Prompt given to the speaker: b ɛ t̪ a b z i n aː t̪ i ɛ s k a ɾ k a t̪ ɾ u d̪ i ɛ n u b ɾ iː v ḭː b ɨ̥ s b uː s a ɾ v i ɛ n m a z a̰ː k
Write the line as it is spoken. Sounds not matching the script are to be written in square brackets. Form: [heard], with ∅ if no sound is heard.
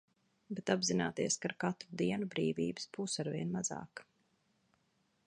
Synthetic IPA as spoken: b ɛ t̪ a b z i n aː t̪ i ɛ s k a ɾ k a t̪ ɾ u d̪ i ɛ n u b ɾ iː v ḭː b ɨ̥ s b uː s a ɾ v i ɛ n m a z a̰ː k